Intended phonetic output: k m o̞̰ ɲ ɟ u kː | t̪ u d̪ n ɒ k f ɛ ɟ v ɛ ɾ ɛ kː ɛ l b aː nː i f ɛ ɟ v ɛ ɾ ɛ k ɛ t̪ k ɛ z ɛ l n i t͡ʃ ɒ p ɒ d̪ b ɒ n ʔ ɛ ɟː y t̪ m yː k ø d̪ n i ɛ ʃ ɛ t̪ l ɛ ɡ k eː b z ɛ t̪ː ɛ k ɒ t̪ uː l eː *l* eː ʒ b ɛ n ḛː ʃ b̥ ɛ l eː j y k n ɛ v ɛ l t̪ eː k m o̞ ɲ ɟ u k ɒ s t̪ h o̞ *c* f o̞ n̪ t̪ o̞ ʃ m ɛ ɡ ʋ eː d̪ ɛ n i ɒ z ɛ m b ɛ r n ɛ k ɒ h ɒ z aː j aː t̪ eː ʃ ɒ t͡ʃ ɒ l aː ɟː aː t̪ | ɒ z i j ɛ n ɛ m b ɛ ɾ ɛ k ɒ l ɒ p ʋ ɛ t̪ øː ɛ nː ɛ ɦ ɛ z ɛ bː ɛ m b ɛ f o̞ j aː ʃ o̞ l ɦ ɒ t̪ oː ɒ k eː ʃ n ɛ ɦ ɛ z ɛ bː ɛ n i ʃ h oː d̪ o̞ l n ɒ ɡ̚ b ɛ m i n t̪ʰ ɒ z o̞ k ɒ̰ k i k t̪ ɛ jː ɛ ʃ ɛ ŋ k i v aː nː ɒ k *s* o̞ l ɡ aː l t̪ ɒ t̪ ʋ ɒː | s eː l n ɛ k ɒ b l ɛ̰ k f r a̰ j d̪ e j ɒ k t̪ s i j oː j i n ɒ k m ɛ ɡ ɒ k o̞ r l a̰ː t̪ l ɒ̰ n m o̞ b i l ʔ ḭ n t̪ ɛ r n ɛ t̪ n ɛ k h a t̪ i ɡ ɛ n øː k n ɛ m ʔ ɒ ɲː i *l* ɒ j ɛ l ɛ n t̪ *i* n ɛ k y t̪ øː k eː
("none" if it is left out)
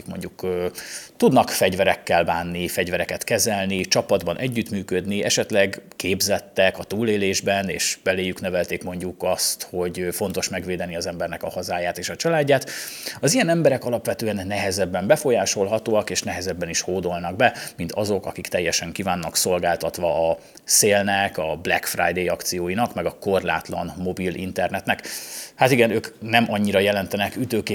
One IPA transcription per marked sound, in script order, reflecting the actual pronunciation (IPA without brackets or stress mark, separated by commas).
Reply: l, ɟ, s, ɾ, ɛ